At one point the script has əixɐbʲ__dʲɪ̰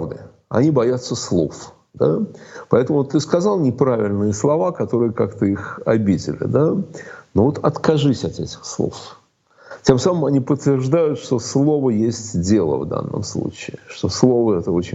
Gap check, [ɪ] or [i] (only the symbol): i